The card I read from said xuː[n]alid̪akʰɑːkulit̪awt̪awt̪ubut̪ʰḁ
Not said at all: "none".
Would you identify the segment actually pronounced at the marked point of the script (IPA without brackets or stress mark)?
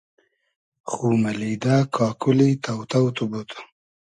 m